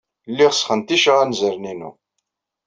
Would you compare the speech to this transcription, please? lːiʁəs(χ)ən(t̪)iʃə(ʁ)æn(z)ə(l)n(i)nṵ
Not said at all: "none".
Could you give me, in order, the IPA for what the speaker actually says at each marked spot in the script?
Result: χ, t̪, ʁ, z, ɾ, i

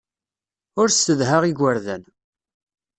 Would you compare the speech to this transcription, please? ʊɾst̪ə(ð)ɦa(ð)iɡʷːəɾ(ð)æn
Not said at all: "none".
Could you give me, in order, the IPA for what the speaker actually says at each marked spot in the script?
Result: ð, ʁ, ð

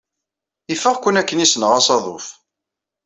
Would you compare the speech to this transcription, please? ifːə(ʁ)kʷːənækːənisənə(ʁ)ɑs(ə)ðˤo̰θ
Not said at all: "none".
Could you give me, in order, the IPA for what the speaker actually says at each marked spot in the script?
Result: ʁ, ʁ, ɑ

